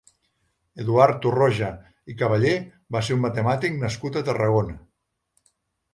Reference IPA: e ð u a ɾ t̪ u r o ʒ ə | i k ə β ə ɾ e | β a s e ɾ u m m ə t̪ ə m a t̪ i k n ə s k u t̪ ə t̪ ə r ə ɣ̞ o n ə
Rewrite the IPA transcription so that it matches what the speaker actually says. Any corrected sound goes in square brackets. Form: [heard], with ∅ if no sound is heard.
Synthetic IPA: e ð u a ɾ t̪ u r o ʒ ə | i k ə β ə [ʎ] e | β a s e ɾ u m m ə t̪ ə m a t̪ i k n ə s k u t̪ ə t̪ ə r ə ɣ̞ o n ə